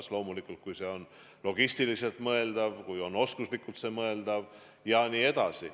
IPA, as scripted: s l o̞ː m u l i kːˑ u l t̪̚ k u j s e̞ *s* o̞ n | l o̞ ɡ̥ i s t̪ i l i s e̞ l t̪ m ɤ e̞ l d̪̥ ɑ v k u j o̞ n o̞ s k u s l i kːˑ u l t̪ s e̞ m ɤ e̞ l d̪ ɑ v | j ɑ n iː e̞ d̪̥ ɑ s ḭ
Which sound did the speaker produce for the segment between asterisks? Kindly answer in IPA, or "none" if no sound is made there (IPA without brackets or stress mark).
none